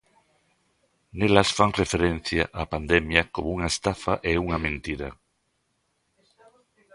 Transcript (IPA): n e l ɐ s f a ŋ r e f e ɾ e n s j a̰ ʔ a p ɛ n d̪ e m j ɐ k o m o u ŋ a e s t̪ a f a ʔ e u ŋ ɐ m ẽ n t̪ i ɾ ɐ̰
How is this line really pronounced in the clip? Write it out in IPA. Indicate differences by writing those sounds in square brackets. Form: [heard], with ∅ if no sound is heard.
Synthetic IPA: n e l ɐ s f a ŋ r e f e ɾ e n [θ] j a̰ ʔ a p [a] n d̪ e m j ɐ k o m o u ŋ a e s t̪ a f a ʔ e u ŋ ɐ m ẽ n t̪ i ɾ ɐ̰